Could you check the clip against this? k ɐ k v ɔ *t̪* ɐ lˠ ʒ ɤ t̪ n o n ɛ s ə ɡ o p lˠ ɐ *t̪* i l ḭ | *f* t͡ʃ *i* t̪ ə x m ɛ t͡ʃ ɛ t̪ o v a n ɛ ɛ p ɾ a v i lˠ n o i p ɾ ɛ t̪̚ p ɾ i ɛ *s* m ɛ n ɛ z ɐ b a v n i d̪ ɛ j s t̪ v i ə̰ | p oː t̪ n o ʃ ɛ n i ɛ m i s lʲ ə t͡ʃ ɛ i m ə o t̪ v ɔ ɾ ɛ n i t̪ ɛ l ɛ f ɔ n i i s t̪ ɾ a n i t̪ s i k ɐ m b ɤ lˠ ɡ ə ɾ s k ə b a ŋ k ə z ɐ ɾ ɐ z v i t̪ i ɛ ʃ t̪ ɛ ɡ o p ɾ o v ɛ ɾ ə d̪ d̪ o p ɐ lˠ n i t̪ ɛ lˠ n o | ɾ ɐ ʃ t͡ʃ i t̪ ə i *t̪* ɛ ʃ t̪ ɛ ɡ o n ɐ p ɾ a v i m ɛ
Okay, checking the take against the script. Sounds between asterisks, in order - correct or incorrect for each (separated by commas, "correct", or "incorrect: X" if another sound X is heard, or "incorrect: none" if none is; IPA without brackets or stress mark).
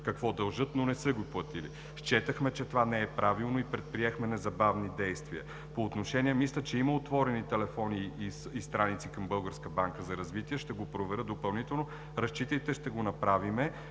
incorrect: d̪, correct, incorrect: ʃ, incorrect: ɛ, incorrect: x, correct